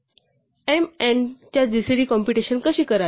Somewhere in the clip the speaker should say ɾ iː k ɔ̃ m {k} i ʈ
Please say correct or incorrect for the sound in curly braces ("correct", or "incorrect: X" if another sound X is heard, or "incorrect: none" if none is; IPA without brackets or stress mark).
incorrect: p